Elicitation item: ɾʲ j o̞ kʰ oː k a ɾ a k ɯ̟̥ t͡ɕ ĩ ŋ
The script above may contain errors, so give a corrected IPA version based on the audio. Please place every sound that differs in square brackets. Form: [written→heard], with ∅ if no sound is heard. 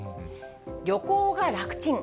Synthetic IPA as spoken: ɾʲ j o̞ [kʰ→k] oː [k→ɡ] a ɾ a k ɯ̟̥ t͡ɕ ĩ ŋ